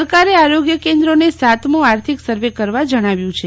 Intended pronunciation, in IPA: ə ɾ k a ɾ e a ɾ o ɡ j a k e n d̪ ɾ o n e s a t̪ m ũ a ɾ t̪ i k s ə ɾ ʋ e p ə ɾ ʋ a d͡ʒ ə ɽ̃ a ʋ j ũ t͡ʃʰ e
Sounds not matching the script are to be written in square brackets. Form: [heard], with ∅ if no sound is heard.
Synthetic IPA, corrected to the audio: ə ɾ k a ɾ e a ɾ o ɡ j [ə] k e n d̪ ɾ o n e s a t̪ m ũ a ɾ [t̪ʰ] i k s ə ɾ ʋ e [k] ə ɾ ʋ a d͡ʒ ə ɽ̃ a ʋ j ũ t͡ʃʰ e